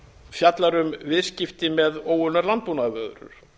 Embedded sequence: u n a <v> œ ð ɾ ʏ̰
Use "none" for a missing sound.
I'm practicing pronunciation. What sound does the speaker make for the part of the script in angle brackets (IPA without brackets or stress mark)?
v